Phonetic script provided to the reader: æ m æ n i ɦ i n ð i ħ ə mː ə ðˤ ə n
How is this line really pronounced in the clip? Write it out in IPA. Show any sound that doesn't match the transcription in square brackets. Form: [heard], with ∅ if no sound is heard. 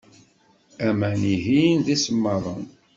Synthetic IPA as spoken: æ m æ n i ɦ i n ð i [s] ə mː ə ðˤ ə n